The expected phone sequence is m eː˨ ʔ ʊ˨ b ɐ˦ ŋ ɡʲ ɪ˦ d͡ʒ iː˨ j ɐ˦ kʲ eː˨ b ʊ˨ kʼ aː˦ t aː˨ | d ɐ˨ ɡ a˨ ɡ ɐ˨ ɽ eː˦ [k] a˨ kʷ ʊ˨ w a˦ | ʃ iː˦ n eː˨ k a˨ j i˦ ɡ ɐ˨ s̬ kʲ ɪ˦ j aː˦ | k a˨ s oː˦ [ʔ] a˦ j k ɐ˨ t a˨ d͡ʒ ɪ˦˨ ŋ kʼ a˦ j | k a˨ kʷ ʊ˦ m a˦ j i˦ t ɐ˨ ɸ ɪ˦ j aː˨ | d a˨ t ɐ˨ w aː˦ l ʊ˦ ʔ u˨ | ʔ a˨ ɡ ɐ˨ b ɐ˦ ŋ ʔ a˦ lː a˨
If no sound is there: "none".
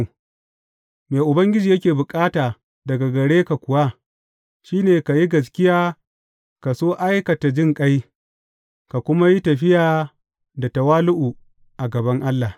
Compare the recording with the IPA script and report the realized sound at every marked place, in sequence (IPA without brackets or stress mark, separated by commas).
k, ʔ